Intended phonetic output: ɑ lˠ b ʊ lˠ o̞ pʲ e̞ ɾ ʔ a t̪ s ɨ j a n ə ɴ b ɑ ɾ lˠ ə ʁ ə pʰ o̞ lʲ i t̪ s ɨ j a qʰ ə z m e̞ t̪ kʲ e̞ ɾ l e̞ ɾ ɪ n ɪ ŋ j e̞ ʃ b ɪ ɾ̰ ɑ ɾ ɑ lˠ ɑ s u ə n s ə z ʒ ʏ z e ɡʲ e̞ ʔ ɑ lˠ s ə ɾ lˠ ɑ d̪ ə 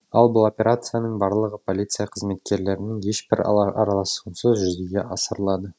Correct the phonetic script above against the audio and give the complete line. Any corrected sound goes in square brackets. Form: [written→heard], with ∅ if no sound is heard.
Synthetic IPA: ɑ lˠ b ʊ lˠ o̞ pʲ e̞ ɾ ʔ a t̪ s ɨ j a n ə ɴ b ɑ ɾ lˠ ə ʁ ə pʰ o̞ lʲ i t̪ s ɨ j a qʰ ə z m e̞ t̪ kʲ e̞ ɾ l e̞ ɾ ɪ n ɪ ŋ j e̞ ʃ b ɪ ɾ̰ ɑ ɾ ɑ lˠ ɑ s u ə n s ə z ʒ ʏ z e ɡʲ e̞ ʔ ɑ [lˠ→∅] s ə ɾ lˠ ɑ d̪ ə